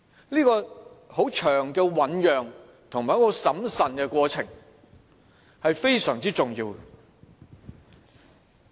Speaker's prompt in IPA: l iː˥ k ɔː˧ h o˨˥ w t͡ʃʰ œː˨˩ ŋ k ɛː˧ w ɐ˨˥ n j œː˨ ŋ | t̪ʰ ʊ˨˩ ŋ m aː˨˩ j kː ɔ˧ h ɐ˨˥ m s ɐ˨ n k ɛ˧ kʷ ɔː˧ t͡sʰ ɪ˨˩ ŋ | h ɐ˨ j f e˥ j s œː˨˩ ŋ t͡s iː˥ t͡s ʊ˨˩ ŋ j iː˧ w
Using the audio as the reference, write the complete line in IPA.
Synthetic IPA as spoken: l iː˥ k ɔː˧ h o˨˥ w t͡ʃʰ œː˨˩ ŋ k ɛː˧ w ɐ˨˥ n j œː˨ ŋ | t̪ʰ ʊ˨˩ ŋ m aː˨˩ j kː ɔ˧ s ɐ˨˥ m s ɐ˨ n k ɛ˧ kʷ ɔː˧ t͡sʰ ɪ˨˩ ŋ | h ɐ˨ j f e˥ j s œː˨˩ ŋ t͡s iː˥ t͡s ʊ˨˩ ŋ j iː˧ w